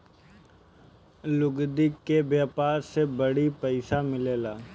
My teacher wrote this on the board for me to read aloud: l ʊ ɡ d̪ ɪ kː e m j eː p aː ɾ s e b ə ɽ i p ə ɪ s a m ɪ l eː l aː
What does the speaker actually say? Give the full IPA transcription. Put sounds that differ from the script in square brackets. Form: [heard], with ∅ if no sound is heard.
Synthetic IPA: l ʊ ɡ d̪ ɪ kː e [b] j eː p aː ɾ s e b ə ɽ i p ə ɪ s a m ɪ l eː l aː